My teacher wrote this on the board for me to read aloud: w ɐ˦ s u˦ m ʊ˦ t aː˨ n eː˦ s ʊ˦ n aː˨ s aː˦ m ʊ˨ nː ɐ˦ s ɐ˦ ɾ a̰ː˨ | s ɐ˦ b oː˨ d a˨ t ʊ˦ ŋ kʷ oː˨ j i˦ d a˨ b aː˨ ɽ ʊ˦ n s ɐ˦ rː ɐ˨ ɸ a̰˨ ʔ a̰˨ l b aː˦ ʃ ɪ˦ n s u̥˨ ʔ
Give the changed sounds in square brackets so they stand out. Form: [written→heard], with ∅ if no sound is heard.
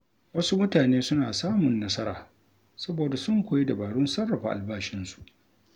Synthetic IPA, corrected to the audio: w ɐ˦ s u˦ m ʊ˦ t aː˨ n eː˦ s ʊ˦ n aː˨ s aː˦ m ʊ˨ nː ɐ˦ s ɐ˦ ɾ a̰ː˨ | s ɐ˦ b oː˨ d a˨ [t→s] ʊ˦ ŋ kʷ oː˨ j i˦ d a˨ b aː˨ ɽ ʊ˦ n s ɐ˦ rː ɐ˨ ɸ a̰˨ ʔ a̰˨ l b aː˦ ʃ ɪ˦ n s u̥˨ ʔ